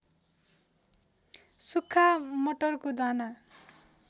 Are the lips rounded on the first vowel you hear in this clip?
yes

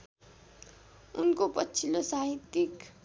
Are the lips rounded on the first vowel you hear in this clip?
yes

